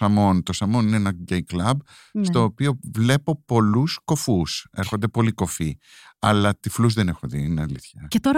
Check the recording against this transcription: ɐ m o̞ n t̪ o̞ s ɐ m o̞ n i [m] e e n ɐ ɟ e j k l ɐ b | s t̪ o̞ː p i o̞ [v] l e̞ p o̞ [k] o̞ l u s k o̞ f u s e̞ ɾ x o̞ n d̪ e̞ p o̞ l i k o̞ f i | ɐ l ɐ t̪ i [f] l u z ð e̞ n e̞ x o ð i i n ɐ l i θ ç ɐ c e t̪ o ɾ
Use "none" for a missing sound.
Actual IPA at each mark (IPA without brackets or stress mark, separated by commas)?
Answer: n, v, p, f